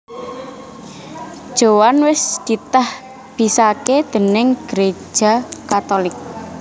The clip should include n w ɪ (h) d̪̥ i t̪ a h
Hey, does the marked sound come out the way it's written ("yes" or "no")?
no